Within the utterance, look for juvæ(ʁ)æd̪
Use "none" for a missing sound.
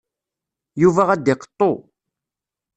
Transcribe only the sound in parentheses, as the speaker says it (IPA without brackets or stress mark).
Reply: ʁ